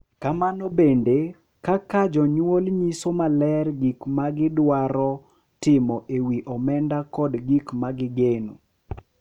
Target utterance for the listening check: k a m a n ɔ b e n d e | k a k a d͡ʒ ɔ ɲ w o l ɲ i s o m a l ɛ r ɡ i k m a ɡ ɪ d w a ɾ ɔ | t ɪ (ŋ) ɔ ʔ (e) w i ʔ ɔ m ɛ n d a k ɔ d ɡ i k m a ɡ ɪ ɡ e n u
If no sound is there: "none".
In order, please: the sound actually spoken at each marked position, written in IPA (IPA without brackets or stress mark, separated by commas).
m, e